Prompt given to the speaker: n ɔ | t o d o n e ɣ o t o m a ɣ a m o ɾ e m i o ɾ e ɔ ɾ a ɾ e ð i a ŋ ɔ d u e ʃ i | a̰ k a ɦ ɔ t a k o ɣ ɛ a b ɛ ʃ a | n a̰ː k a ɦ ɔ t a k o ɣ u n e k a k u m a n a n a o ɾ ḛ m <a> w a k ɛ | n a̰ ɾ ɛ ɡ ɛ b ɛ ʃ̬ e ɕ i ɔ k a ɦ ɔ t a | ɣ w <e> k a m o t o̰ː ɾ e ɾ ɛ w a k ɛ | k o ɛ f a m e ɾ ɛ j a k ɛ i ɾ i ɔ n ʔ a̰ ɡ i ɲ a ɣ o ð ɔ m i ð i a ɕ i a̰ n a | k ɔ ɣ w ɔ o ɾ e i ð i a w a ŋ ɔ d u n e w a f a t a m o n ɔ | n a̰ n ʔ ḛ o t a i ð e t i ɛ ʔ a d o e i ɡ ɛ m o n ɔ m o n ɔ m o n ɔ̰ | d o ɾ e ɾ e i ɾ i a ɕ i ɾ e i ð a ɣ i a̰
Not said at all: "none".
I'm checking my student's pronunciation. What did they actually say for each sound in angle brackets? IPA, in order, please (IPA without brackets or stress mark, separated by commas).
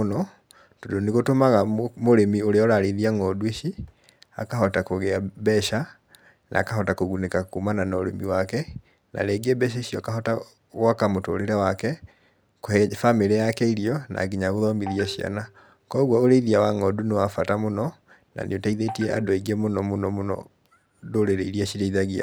i, a